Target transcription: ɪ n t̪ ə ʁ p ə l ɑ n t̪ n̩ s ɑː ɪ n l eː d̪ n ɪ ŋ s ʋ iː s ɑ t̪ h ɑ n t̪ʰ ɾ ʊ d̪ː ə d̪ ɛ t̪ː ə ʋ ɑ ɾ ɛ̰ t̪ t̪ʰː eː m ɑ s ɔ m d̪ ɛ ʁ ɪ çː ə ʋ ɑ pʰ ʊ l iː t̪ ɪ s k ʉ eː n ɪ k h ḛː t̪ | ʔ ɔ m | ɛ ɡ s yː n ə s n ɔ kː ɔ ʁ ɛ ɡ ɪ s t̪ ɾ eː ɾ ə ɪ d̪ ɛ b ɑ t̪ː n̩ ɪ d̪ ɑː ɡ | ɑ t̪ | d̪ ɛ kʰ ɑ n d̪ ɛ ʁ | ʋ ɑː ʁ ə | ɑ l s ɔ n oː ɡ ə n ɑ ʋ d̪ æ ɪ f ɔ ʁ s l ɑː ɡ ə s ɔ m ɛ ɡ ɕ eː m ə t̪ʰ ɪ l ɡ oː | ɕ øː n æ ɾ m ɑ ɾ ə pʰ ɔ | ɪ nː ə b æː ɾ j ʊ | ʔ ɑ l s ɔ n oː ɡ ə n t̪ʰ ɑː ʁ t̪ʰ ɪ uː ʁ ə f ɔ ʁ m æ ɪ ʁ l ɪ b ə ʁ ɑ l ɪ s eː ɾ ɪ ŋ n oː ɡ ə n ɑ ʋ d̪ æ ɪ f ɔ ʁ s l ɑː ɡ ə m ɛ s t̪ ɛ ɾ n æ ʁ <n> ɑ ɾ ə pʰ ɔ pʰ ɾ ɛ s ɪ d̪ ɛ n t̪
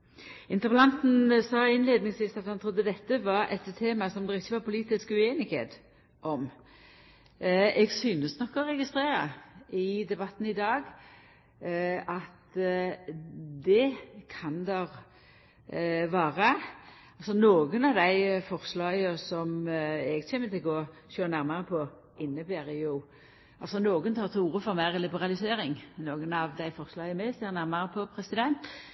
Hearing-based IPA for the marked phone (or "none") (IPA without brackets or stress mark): m